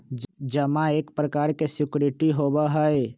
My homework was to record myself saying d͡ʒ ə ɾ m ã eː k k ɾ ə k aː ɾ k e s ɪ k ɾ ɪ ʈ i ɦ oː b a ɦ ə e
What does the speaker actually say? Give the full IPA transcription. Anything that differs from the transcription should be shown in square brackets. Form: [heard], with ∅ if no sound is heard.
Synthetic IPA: d͡ʒ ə [∅] m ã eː k [p] ɾ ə k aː ɾ k e s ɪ k ɾ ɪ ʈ i ɦ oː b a ɦ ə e